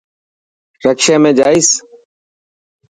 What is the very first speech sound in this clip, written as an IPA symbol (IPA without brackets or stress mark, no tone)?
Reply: ɾ